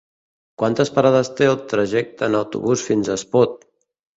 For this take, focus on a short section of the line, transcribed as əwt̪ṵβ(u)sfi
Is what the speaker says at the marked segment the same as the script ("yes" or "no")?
yes